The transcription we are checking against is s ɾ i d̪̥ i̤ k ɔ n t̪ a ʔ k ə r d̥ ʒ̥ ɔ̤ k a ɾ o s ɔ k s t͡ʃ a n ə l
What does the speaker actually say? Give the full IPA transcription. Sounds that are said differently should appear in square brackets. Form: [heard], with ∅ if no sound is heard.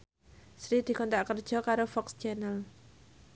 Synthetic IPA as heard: s ɾ i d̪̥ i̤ k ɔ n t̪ a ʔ k ə r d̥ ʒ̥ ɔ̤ k a ɾ o [f] ɔ k s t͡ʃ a n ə l